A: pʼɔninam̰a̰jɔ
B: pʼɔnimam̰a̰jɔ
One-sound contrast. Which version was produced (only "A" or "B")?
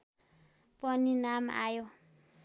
A